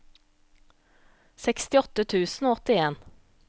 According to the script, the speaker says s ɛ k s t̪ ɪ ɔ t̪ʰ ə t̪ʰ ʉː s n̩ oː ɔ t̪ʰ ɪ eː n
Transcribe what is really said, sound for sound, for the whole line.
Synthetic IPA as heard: s ɛ k s t̪ ɪ ɔ t̪ ə t̪ʰ ʉː s n̩ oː ɔ t̪ ɪ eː n